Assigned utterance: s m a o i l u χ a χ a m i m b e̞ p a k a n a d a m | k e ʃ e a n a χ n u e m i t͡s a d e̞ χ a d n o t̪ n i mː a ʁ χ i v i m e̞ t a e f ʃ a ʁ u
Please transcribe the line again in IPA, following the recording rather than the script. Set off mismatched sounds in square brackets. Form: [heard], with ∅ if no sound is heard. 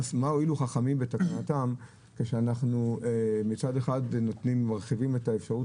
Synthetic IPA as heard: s m a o i l u χ a χ a m i m b e̞ [t] a k a n a [t] a m | k e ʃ e a n a χ n u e m i t͡s a d e̞ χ a d n o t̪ n i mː a ʁ χ i v i m e̞ t a e f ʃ a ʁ u